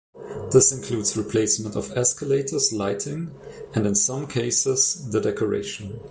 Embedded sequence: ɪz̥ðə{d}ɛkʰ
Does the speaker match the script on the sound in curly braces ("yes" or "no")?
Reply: yes